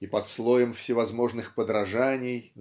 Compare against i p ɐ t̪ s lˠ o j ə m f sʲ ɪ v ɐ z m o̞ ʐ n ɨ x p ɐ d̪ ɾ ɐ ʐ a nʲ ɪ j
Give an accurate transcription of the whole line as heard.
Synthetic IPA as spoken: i p ɐ t̪ s lˠ o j ə m f sʲ ɪ v ɐ z m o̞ ʐ n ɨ x p ə d̪ ɾ ɐ ʐ a nʲ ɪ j